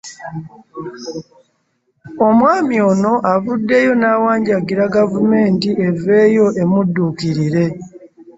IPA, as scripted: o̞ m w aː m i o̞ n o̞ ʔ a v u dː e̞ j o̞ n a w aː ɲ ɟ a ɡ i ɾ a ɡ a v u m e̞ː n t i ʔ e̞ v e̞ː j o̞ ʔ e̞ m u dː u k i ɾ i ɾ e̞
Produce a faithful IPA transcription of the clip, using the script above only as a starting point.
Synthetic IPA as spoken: o̞ m w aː m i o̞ n o̞ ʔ a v u dː e̞ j o̞ n a w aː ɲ ɟ a ɡ i ɾ a ɡ a v u m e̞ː n t i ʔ e̞ v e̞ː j o̞ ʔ e̞ m u dː u k i ɾ i ɾ e̞